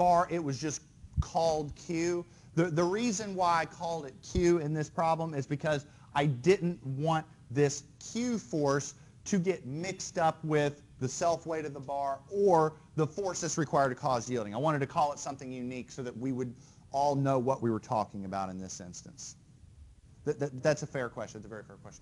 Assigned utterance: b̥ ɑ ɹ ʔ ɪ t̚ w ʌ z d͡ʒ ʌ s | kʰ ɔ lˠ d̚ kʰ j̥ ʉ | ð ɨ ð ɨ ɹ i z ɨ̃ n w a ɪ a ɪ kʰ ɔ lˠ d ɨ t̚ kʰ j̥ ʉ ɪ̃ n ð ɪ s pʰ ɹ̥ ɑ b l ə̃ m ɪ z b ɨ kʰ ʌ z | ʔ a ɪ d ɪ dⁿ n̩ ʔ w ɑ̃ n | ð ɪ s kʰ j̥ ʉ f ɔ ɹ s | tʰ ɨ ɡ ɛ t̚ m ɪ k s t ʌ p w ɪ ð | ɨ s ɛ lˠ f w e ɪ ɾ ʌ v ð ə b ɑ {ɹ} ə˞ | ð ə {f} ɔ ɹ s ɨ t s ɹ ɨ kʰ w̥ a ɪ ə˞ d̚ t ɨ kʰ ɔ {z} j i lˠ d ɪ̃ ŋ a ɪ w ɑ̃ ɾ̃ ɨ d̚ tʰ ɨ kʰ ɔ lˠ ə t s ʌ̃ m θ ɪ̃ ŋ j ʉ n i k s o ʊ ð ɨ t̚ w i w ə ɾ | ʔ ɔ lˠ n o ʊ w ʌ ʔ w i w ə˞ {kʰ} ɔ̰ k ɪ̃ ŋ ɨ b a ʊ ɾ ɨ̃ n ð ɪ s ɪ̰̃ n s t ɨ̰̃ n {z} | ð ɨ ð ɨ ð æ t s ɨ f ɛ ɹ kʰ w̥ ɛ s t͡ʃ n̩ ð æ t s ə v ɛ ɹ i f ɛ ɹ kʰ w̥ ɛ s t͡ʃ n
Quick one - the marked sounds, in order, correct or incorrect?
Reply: correct, correct, correct, incorrect, incorrect

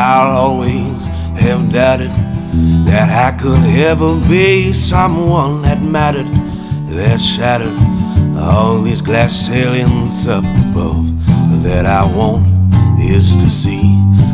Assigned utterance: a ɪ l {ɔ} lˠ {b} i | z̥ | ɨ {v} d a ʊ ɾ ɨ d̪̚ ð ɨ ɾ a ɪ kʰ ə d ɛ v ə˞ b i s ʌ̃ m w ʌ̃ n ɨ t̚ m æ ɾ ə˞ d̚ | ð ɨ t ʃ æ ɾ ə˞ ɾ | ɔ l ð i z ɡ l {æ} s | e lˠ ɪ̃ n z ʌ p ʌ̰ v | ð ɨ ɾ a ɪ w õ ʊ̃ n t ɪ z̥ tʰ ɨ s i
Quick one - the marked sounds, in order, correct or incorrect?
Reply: correct, incorrect, correct, correct

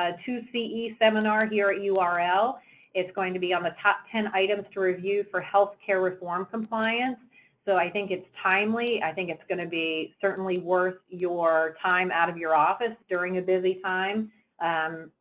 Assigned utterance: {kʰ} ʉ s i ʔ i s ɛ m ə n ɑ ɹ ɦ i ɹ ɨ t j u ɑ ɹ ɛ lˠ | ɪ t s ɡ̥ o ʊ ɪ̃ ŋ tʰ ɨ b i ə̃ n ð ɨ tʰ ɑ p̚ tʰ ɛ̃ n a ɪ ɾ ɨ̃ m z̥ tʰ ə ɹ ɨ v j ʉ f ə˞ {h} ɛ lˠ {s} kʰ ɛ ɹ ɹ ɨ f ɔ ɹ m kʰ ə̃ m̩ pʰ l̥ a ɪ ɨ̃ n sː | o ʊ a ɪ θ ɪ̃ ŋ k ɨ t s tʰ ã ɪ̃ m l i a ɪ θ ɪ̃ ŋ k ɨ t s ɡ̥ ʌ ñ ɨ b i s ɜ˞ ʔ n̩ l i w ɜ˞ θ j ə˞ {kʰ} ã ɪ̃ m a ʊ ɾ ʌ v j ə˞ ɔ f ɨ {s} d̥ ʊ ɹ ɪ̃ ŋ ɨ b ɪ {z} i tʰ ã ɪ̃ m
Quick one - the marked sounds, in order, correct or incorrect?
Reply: incorrect, correct, incorrect, incorrect, correct, correct

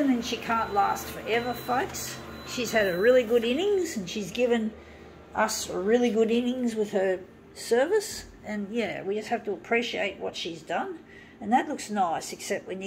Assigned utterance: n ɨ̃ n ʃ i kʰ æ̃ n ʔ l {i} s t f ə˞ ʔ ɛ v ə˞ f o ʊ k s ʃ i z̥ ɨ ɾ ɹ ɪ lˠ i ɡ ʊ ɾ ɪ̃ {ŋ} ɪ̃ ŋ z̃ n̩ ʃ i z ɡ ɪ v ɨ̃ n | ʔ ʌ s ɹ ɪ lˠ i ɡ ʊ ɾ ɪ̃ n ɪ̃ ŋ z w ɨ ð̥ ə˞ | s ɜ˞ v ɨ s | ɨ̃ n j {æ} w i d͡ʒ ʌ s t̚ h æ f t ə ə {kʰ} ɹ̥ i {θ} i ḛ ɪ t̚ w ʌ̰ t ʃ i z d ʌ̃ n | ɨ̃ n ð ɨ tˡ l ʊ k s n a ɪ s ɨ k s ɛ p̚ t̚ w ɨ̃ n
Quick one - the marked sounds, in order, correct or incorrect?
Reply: incorrect, incorrect, correct, incorrect, incorrect

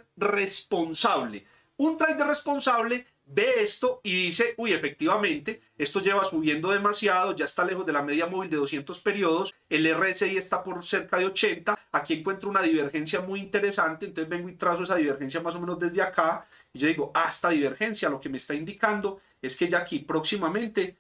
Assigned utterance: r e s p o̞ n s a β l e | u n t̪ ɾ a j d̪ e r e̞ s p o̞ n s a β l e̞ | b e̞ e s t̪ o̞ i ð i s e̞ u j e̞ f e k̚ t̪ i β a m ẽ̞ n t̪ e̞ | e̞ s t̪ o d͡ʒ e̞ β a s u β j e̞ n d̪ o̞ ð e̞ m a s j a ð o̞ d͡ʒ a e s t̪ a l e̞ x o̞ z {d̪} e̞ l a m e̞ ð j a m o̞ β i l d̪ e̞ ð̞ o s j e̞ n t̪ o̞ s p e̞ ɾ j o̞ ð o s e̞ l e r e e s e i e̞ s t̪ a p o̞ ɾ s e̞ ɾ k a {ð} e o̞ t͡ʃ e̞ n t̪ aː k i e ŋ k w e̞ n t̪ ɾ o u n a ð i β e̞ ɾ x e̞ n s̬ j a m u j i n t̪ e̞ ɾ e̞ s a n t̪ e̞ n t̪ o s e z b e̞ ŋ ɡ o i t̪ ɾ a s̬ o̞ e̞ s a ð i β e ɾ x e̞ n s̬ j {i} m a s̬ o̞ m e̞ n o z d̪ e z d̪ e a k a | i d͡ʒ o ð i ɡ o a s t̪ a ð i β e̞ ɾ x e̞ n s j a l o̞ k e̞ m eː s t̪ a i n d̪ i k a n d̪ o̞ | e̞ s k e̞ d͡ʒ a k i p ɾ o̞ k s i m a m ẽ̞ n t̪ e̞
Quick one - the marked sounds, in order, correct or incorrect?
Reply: correct, correct, incorrect

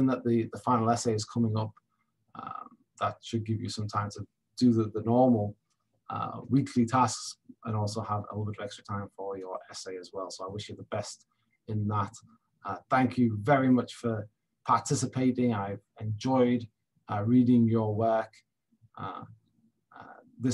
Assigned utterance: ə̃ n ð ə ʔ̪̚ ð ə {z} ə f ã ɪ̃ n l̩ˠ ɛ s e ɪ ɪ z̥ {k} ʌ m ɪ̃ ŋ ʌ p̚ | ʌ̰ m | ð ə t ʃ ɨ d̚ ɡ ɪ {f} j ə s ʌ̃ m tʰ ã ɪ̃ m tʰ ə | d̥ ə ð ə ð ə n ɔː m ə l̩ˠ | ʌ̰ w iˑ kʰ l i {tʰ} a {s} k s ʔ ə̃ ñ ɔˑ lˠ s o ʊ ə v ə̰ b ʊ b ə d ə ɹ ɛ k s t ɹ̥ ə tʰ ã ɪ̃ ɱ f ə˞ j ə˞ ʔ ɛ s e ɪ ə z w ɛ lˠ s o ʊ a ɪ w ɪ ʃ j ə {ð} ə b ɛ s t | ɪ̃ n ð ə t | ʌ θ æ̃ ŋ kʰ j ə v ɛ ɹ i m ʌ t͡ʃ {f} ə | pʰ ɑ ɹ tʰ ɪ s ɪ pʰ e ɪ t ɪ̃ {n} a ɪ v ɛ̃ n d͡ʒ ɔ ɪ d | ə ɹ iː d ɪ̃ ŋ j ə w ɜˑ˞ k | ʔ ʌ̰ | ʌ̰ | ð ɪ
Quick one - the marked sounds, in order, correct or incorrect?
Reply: incorrect, incorrect, incorrect, correct, correct, correct, correct, incorrect

